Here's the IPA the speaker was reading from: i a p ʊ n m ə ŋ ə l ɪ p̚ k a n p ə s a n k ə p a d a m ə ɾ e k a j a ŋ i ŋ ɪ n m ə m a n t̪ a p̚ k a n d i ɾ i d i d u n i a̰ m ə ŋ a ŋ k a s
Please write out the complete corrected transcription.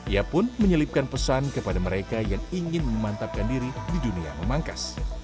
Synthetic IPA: i a p ʊ n m ə ɲ ə l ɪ p̚ k a n p ə s a n k ə p a d a m ə ɾ e k a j a ŋ i ŋ ɪ n m ə m a n t̪ a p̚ k a n d i ɾ i d i d u n i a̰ m ə m a ŋ k a s